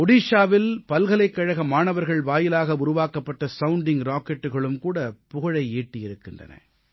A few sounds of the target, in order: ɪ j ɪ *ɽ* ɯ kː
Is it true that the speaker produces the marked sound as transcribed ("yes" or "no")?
no